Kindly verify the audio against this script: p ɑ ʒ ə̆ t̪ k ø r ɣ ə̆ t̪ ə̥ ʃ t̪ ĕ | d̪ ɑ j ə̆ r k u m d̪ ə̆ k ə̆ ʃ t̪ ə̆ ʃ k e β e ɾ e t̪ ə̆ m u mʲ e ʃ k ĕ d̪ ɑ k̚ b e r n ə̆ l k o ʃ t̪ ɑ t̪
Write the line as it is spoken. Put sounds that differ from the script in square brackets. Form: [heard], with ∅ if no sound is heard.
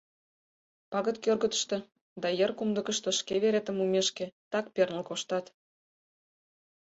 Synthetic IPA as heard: p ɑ [ɣ] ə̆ t̪ k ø r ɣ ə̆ t̪ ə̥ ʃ t̪ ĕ | d̪ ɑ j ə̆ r k u m d̪ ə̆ k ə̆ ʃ t̪ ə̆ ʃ k e β e ɾ e t̪ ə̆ m u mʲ e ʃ k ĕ [t̪] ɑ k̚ [p] e r n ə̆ l k o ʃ t̪ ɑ t̪